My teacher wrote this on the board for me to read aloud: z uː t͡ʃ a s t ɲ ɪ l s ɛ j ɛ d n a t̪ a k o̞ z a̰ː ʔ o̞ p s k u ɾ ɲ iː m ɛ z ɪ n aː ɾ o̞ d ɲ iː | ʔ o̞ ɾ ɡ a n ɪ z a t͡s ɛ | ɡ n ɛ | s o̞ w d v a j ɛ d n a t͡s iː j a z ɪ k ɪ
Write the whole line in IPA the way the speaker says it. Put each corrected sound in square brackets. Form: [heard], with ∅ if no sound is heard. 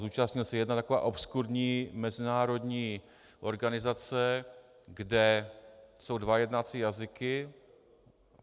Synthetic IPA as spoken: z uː t͡ʃ a s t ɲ ɪ l s ɛ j ɛ d n a t̪ a k o̞ [v] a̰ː ʔ o̞ p s k u ɾ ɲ iː m ɛ z ɪ n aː ɾ o̞ d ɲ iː | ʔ o̞ ɾ ɡ a n ɪ z a t͡s ɛ | ɡ [d] ɛ | s o̞ w d v a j ɛ d n a t͡s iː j a z ɪ k ɪ